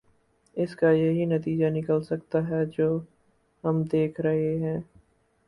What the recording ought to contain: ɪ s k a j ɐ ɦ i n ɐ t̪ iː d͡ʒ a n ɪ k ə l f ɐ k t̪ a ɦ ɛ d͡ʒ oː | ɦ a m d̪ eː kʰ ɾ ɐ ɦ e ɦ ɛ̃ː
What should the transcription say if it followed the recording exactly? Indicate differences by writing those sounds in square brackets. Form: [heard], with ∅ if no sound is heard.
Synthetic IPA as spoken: ɪ s k a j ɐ ɦ i n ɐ t̪ iː d͡ʒ a n ɪ k ə l [s] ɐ k t̪ a ɦ ɛ d͡ʒ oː | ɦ [ɐ] m d̪ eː kʰ ɾ ɐ ɦ e ɦ ɛ̃ː